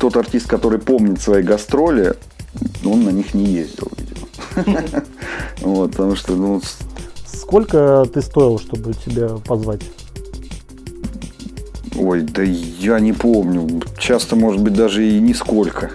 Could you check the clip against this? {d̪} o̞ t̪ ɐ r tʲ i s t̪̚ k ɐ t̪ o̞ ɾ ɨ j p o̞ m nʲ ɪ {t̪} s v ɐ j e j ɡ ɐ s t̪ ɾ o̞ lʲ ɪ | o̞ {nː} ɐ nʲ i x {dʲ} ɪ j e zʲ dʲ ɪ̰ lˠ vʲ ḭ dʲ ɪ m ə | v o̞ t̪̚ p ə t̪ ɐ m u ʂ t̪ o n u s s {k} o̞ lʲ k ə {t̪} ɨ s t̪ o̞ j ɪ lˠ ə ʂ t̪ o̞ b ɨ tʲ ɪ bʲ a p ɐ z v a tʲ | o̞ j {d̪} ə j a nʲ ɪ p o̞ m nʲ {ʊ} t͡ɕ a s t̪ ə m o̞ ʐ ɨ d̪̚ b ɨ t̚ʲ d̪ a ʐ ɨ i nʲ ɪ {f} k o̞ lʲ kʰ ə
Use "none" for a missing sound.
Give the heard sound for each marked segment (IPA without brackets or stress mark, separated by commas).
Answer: t̪, t̪, nː, nʲ, k, t̪, d̪, ʊ, s